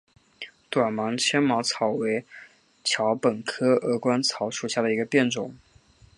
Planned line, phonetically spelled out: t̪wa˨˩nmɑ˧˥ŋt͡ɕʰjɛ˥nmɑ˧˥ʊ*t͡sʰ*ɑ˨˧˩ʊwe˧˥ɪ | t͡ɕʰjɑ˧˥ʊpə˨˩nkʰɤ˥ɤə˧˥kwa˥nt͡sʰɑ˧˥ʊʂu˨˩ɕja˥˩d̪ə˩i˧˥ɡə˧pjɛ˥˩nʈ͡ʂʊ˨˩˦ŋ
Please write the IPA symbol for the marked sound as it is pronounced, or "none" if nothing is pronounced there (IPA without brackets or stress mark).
t͡sʰ